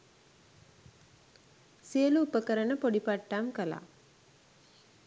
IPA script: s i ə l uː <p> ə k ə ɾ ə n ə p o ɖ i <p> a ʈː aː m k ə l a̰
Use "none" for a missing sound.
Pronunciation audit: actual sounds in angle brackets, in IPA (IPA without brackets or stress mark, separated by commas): p, p